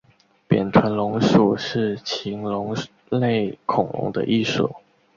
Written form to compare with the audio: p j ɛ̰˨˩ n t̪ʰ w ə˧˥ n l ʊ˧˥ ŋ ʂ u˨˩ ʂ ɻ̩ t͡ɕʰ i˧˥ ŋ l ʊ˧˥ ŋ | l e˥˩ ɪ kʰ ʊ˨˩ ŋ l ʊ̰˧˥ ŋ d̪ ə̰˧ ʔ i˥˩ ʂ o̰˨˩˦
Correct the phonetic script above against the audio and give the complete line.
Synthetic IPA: p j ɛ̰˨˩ n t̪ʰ w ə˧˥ n l ʊ˧˥ ŋ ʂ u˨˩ ʂ ɻ̩ t͡ɕʰ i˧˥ ŋ l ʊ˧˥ ŋ | l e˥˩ ɪ kʰ ʊ˨˩ ŋ l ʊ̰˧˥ ŋ d̪ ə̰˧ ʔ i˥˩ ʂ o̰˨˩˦